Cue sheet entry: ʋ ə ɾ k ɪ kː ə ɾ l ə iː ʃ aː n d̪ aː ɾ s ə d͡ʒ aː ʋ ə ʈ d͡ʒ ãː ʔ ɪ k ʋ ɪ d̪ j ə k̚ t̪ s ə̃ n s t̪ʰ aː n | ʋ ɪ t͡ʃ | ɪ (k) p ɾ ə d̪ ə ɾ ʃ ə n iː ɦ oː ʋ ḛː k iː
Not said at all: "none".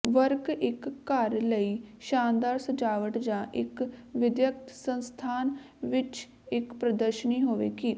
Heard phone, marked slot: k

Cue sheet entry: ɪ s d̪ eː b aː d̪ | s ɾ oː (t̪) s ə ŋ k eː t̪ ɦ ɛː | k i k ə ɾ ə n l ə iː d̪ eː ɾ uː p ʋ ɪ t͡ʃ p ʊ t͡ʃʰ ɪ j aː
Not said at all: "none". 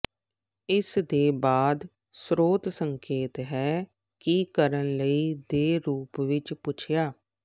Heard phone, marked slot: t̪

